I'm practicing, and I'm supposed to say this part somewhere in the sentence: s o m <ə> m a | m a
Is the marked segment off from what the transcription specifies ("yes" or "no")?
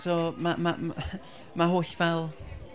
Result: yes